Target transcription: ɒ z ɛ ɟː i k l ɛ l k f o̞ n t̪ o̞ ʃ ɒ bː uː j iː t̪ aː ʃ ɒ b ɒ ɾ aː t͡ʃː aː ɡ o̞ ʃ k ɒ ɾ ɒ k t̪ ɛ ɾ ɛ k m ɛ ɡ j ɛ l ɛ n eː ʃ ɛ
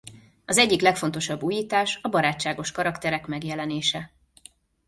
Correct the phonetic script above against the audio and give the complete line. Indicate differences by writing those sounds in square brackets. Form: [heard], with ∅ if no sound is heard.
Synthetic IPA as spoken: ɒ z ɛ ɟː i k l ɛ [∅] k f o̞ n t̪ o̞ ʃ ɒ bː uː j iː t̪ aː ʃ ɒ b ɒ ɾ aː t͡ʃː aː ɡ o̞ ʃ k ɒ ɾ ɒ k t̪ ɛ ɾ ɛ k m ɛ ɡ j ɛ l ɛ n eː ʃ ɛ

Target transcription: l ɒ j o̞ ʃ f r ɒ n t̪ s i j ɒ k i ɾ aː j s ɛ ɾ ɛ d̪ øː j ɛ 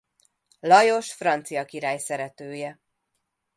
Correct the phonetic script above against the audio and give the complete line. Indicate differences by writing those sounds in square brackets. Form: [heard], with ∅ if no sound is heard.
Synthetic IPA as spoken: l ɒ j o̞ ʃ f r ɒ n t̪ s i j ɒ k i ɾ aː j s ɛ ɾ ɛ [t̪] øː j ɛ

